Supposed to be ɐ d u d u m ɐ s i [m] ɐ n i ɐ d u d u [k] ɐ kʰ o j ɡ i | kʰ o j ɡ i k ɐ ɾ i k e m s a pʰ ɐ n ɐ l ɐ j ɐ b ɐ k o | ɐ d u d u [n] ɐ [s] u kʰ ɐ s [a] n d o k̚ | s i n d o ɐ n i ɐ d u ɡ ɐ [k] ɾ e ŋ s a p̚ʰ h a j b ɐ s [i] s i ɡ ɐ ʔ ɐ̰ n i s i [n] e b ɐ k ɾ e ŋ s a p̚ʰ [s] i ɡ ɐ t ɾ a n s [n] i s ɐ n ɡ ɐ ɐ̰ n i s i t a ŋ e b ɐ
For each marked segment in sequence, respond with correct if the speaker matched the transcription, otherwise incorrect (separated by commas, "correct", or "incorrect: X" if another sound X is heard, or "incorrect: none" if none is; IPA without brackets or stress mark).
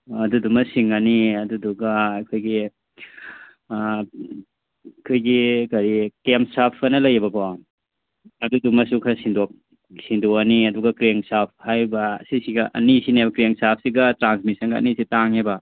incorrect: ŋ, incorrect: ɡ, incorrect: m, correct, incorrect: i, correct, correct, correct, correct, incorrect: m